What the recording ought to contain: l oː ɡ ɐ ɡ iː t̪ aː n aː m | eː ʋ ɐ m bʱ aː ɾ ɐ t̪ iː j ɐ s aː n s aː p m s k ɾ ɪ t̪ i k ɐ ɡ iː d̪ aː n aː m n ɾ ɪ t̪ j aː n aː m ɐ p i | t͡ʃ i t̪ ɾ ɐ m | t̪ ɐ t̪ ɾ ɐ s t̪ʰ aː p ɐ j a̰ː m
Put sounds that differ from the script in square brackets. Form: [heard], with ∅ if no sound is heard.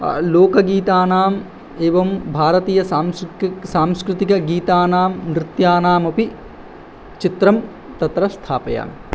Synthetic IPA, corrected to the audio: l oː [k] ɐ ɡ iː t̪ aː n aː m | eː ʋ ɐ m bʱ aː ɾ ɐ t̪ iː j ɐ s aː [m] s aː [∅] m s k ɾ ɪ t̪ i k ɐ ɡ iː [t̪] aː n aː m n ɾ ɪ t̪ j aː n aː m ɐ p i | t͡ʃ i t̪ ɾ ɐ m | t̪ ɐ t̪ ɾ ɐ s t̪ʰ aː p ɐ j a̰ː m